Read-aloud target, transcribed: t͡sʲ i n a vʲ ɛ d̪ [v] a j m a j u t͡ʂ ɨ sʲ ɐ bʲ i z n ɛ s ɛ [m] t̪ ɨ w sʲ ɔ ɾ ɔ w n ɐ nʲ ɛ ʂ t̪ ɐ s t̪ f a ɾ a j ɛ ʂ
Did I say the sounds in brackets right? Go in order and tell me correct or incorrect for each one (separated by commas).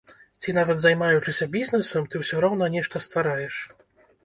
incorrect, correct